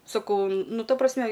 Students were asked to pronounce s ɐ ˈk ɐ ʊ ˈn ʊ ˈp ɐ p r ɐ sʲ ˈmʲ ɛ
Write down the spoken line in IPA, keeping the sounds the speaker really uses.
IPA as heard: s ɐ ˈk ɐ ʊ ˈn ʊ ˈt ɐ p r ɐ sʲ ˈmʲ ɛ